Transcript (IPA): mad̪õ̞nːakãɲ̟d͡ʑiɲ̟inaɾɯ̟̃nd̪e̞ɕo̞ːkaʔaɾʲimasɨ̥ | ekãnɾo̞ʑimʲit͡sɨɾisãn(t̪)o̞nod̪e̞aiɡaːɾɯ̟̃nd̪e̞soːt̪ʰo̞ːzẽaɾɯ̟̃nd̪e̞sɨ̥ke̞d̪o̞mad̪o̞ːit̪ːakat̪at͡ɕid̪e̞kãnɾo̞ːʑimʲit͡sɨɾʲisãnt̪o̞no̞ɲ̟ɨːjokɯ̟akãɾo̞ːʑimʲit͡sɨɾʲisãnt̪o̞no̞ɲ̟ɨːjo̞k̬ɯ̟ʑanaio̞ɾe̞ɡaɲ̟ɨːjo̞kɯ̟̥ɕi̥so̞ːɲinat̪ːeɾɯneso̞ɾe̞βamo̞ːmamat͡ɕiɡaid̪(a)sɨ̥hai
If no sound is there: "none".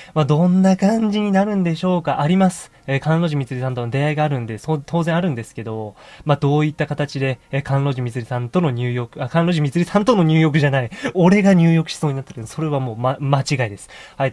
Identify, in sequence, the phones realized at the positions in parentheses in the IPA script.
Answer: t̪, e

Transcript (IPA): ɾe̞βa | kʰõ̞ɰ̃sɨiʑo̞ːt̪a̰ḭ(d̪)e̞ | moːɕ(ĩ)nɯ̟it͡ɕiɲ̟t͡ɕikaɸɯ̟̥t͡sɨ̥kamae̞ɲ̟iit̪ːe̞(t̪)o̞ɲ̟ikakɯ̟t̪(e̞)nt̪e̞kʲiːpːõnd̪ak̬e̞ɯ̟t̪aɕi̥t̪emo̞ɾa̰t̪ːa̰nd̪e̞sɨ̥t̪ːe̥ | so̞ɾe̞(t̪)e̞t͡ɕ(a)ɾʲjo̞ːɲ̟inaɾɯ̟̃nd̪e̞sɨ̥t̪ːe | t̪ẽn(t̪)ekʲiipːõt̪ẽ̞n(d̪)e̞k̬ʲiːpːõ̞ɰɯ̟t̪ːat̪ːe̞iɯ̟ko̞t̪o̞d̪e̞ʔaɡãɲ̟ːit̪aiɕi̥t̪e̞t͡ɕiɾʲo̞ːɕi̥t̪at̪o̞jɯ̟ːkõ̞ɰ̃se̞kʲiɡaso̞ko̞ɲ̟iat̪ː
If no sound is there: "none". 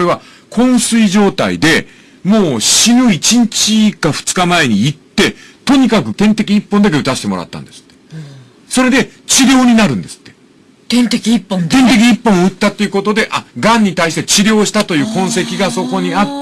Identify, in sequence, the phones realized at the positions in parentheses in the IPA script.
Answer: d̪, i, t̪, ẽ̞, d̪, i, t̪, t̪

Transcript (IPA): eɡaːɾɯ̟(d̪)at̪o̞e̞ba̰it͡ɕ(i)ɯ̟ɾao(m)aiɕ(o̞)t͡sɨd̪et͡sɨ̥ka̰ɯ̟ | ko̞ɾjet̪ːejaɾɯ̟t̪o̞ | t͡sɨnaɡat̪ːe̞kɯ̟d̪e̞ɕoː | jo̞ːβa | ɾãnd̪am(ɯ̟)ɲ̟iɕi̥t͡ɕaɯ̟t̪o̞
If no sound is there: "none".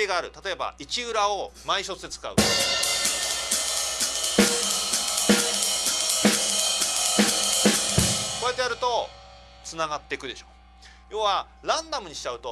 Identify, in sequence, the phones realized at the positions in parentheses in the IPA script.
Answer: t̪, i, m, o̞, ɯ̟

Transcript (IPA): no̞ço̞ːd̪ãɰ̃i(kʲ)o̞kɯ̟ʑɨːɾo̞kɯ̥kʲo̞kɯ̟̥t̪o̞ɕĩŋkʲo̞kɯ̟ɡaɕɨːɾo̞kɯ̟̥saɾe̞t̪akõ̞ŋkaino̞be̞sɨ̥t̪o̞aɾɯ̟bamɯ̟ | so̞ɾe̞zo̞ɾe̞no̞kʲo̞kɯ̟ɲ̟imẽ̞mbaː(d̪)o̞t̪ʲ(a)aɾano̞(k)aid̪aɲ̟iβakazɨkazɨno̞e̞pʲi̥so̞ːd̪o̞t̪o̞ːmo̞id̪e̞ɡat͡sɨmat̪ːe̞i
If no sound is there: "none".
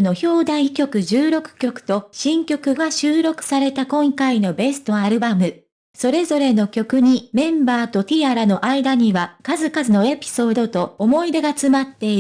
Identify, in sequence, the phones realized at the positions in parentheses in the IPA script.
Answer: kʲ, t̪, i, ʔ

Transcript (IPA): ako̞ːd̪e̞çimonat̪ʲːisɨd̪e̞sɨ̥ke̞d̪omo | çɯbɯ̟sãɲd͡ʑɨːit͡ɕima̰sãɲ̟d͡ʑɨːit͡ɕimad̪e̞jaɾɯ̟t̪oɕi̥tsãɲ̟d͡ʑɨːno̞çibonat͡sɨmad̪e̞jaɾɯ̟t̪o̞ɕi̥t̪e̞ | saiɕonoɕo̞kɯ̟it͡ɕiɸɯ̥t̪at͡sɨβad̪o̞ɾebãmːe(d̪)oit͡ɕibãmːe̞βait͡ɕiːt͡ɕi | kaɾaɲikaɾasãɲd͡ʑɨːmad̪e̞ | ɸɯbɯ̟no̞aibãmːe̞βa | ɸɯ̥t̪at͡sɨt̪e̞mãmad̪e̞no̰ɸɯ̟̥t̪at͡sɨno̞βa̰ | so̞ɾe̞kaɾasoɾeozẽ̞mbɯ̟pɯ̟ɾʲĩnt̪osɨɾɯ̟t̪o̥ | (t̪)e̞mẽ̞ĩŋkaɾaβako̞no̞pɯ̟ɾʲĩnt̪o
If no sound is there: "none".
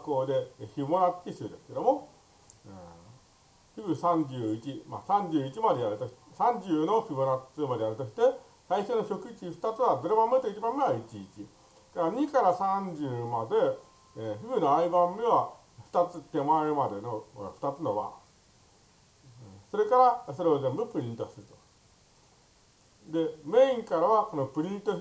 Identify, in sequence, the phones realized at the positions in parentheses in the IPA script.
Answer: t̪, d̪

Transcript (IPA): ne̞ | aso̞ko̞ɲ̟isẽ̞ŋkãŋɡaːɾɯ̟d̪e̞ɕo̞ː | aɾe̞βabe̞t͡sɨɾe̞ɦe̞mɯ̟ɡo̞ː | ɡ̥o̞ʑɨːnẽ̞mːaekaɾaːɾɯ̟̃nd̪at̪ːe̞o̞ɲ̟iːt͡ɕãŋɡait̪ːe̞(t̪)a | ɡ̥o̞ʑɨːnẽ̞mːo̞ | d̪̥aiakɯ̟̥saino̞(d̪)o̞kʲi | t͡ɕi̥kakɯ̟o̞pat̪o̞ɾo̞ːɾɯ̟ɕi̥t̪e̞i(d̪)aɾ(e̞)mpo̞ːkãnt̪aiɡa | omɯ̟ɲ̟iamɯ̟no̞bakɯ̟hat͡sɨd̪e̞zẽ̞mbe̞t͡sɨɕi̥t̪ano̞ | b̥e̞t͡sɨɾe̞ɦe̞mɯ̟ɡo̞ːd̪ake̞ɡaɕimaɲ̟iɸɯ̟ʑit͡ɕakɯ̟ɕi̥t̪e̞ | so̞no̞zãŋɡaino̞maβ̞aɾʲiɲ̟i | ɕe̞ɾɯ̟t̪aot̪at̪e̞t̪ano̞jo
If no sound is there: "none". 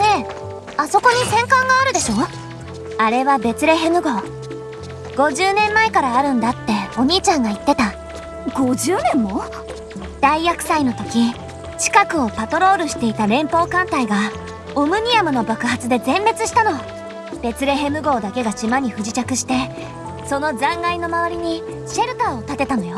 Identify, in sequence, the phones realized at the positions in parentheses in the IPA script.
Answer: t̪, t̪, t̪, ẽ̞

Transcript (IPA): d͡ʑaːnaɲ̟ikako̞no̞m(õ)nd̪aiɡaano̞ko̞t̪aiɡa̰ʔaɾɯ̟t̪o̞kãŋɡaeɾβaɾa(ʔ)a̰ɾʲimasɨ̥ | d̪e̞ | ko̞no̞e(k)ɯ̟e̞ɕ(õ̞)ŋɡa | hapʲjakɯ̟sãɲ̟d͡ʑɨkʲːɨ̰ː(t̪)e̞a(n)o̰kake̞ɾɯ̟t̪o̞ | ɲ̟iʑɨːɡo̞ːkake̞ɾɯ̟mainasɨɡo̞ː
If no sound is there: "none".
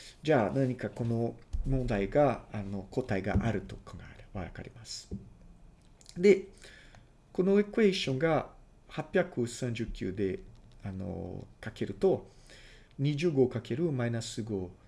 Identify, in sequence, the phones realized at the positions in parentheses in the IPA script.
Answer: õ, k, k, õ̞, d̪, n

